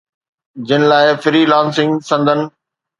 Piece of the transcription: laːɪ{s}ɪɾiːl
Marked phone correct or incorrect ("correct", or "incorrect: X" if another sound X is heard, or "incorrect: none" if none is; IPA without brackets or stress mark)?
incorrect: f